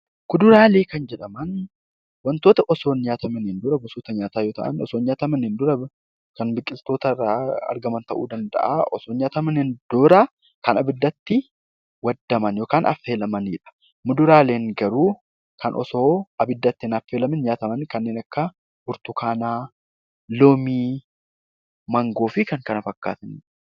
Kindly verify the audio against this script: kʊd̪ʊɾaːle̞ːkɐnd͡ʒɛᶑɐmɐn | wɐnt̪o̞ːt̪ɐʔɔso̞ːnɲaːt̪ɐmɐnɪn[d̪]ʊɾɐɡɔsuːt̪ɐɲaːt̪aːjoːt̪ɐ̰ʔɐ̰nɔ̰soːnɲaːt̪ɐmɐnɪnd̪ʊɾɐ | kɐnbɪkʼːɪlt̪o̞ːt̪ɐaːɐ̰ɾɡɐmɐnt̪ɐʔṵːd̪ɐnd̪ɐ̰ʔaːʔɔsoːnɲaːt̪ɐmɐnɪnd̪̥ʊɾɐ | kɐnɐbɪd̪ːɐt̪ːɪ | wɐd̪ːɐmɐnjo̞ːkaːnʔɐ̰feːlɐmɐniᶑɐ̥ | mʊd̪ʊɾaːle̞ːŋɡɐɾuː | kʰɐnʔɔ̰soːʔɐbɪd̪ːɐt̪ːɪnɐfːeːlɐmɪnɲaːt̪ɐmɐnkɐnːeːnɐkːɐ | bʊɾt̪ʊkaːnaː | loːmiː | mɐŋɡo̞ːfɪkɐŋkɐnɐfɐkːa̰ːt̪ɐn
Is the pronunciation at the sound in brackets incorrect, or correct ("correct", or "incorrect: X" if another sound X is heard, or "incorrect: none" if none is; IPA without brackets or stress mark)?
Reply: correct